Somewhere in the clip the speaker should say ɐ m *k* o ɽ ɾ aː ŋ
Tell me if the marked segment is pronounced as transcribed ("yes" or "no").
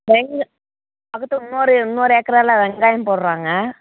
no